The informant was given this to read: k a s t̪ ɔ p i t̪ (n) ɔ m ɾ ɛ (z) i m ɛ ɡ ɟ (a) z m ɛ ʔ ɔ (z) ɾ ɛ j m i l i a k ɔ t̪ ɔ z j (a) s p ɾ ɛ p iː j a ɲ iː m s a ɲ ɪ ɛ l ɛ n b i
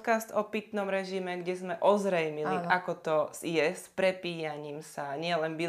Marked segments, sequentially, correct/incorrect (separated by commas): correct, incorrect, incorrect, correct, incorrect